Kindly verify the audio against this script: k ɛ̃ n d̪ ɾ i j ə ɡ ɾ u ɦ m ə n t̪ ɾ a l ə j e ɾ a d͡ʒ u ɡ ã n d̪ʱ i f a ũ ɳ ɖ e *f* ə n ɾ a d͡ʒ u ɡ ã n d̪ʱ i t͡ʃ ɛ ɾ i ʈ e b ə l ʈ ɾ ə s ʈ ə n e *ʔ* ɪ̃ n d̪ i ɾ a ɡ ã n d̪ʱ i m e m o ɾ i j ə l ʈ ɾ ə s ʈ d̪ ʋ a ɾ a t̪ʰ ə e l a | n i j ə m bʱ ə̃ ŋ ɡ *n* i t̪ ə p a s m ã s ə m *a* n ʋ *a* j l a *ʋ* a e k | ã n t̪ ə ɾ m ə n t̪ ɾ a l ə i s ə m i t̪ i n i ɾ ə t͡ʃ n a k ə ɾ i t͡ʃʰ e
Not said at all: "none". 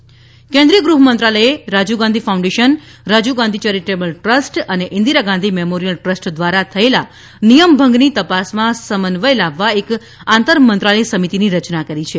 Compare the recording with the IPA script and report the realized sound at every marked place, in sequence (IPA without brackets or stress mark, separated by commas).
ʃ, ʔ, n, ə, ə, ʋː